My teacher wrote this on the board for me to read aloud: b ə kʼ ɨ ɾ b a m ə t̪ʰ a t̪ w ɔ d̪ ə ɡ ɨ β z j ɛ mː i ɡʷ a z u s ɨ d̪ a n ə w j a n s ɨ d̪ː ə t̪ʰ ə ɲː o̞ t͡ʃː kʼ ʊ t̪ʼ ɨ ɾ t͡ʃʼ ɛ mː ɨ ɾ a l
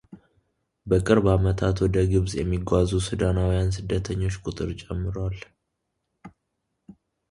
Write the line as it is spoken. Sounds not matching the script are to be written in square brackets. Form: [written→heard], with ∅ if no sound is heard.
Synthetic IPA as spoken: b ə kʼ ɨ ɾ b a m ə t̪ʰ a t̪ w ɔ d̪ ə ɡ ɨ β z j ɛ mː i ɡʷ a z u s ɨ d̪ a n [ə→a] w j a n s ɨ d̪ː ə t̪ʰ ə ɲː o̞ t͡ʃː kʼ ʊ t̪ʼ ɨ ɾ t͡ʃʼ ɛ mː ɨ ɾ a l